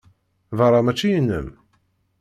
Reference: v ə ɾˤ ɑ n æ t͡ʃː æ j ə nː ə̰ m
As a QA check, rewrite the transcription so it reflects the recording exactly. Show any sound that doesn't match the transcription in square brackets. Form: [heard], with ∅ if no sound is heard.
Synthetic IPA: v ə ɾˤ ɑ [m] æ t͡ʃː [i] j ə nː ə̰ m